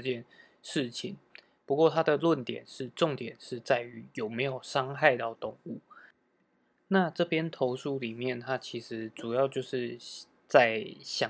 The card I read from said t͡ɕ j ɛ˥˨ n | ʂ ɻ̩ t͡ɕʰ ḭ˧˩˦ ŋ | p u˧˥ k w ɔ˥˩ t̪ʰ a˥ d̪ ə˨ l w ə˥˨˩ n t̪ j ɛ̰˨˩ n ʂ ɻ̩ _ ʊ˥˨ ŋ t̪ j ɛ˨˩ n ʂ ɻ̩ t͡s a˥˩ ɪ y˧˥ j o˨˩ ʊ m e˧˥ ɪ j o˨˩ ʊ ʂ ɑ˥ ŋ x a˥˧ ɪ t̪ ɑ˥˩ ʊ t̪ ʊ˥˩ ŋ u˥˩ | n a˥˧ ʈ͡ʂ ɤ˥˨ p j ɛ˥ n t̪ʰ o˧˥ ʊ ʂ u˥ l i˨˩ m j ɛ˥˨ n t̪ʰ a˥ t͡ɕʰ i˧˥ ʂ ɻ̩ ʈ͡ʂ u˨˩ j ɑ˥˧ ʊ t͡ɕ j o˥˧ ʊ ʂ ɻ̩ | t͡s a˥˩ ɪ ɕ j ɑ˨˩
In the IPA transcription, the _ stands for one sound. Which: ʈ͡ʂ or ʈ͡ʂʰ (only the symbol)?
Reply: ʈ͡ʂ